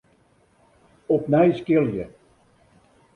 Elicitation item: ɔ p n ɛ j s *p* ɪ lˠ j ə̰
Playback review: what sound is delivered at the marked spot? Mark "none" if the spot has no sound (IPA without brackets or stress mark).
k